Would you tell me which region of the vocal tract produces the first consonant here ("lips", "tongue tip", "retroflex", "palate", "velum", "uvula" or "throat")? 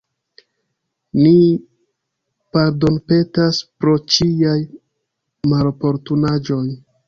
tongue tip